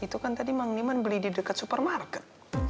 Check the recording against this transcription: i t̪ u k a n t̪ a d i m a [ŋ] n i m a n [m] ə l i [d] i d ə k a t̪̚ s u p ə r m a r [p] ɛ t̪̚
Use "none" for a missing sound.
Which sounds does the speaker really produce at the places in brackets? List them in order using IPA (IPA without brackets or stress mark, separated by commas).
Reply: ŋ, b, d, k